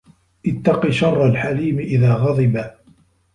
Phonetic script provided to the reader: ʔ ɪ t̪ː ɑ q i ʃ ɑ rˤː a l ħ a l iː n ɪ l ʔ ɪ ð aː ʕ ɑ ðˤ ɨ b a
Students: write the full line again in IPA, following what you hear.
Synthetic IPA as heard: ʔ ɪ t̪ː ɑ q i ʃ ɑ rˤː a l ħ a l iː m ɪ ʔ ɪ ð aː ɣ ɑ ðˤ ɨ b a